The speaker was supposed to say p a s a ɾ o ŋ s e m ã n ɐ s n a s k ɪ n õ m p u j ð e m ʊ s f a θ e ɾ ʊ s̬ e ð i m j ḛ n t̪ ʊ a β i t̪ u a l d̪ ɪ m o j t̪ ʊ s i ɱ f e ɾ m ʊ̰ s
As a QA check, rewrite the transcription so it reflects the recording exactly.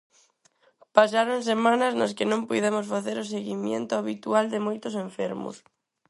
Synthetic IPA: p a s a ɾ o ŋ s e m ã n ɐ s n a s k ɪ n õ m p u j ð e m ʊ s f a θ e ɾ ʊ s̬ e ɣ i m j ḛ n t̪ ʊ a β i t̪ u a l d̪ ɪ m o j t̪ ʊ s e ɱ f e ɾ m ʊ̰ s